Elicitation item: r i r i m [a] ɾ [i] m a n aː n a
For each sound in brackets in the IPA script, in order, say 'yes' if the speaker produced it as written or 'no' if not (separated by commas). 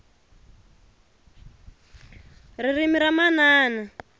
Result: no, no